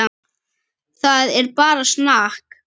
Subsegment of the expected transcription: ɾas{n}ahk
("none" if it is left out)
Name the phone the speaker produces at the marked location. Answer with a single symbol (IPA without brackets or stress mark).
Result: n